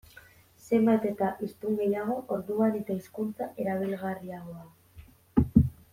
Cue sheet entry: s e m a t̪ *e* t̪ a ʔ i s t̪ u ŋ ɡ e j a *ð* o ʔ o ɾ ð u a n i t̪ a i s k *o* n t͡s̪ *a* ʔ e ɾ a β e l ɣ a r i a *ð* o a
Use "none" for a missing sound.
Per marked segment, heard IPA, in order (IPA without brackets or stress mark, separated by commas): e, ɣ, u, a, ɣ